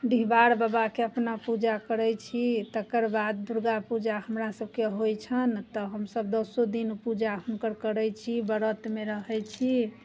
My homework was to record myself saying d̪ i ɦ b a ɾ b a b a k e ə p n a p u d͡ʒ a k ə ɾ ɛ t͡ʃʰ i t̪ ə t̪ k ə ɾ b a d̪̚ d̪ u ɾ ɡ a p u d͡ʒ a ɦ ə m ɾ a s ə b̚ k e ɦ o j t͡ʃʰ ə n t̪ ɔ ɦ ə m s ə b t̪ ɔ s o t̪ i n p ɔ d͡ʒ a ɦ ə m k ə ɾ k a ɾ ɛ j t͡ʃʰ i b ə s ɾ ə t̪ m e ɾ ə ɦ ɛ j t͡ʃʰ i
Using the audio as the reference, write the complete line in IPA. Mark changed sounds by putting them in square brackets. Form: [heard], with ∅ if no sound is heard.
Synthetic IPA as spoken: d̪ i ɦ b a ɾ b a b a k e ə p n a p u d͡ʒ a k ə ɾ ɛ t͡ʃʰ i t̪ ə [∅] k ə ɾ b a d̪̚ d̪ u ɾ ɡ a p u d͡ʒ a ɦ ə m ɾ a s ə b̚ k e ɦ o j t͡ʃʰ ə n t̪ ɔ ɦ ə m s ə b [d̪] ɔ s o [d̪] i n p [u] d͡ʒ a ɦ ə m k ə ɾ k [ə] ɾ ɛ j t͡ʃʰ i b ə [∅] ɾ ə t̪ m e ɾ ə ɦ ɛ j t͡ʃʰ i